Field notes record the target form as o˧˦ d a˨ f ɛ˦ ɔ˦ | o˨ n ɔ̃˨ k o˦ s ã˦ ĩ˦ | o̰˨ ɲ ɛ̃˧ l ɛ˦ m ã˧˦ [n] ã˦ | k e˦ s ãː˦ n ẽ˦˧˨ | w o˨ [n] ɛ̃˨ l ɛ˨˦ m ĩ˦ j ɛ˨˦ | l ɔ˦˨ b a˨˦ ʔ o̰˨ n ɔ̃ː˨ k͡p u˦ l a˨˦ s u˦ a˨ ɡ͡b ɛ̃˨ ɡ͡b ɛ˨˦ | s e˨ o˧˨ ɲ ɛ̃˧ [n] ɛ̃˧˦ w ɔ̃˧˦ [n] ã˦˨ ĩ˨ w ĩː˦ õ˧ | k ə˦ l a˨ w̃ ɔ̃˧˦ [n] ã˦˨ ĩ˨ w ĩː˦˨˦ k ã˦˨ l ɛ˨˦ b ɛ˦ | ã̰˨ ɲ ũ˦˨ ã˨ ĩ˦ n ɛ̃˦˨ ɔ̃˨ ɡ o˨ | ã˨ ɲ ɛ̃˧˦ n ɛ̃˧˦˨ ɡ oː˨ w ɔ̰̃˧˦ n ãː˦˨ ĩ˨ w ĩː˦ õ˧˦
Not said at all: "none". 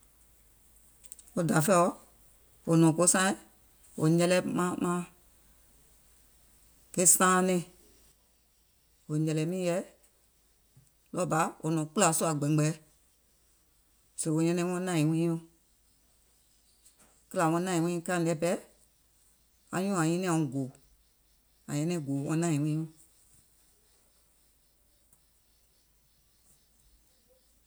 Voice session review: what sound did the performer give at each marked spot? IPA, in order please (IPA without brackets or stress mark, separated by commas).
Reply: m, ɲ, n, n, n